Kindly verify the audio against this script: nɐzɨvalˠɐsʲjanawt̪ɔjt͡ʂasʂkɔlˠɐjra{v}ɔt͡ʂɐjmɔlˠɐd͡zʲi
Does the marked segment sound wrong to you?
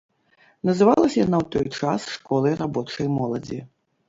yes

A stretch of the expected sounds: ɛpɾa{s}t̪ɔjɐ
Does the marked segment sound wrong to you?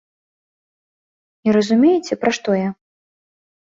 yes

